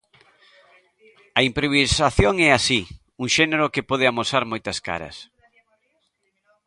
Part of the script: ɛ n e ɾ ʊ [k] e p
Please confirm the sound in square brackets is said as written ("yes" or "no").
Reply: yes